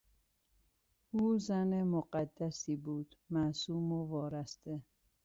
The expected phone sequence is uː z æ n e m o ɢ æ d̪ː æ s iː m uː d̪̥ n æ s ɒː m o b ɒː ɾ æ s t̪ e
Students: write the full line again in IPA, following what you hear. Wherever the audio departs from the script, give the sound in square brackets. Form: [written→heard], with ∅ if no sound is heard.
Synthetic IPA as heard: uː z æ n e m o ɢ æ d̪ː æ s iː [m→b] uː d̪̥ [n→m] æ s [ɒː→uː] m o [b→v] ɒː ɾ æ s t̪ e